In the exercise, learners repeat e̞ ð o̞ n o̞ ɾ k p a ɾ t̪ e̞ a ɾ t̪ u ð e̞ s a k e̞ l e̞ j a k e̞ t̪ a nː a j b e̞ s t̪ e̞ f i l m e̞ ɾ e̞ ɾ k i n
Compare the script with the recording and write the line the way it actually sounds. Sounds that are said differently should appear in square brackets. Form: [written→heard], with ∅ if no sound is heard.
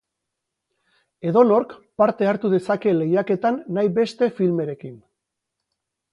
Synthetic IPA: e̞ ð o̞ n o̞ ɾ k p a ɾ t̪ e̞ a ɾ t̪ u ð e̞ s a k e̞ l e̞ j a k e̞ t̪ a nː a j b e̞ s t̪ e̞ f i l m e̞ ɾ e̞ [ɾ→∅] k i n